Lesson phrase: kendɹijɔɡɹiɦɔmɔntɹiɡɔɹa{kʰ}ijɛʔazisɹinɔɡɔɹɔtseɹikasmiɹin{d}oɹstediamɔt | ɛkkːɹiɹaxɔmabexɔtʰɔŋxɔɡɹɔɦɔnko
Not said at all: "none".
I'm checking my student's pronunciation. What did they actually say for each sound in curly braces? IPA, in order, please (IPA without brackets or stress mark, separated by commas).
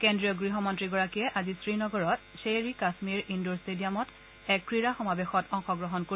k, d